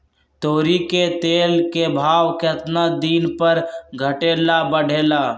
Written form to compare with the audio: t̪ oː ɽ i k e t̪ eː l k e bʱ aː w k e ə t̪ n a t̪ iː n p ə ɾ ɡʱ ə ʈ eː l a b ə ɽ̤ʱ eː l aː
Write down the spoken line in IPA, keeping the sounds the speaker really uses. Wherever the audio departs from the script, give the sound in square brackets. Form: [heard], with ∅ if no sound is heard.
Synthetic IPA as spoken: t̪ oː [ɾ] i k e t̪ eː l k e bʱ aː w k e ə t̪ n a [d̪] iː n p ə ɾ ɡʱ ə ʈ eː l a b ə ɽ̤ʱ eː l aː